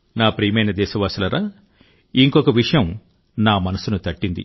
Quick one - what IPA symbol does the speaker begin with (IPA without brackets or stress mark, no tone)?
n